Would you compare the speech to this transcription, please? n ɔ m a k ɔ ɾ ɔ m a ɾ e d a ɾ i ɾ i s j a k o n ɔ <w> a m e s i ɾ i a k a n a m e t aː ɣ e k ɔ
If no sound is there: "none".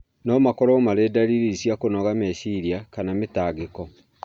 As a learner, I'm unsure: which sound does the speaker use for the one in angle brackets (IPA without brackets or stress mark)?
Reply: ɣ